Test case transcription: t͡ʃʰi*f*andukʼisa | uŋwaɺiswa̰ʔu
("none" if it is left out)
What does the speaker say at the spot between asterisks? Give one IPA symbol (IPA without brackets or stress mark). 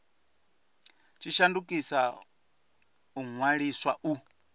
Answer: ʃ